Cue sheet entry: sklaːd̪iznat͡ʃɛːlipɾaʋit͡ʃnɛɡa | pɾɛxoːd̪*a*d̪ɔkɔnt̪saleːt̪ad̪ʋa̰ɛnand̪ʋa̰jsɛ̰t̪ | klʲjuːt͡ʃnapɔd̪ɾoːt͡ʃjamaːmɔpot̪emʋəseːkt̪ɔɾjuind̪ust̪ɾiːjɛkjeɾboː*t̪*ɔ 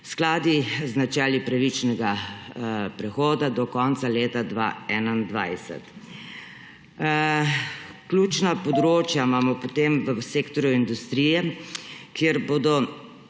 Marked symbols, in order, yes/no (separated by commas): yes, no